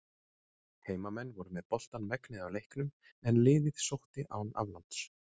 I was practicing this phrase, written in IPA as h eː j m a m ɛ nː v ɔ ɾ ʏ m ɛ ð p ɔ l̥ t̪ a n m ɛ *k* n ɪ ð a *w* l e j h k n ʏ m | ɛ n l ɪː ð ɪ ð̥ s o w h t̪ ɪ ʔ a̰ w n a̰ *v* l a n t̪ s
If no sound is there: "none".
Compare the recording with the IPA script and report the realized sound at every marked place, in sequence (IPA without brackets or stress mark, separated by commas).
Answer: k, w, v